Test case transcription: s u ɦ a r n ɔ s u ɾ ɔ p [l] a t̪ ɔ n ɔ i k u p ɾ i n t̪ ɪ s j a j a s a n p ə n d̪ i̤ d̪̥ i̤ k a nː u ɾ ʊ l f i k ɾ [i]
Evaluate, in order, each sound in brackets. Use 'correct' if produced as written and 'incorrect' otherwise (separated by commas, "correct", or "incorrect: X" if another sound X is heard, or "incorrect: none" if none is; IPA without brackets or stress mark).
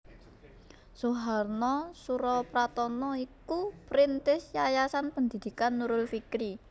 incorrect: ɾ, correct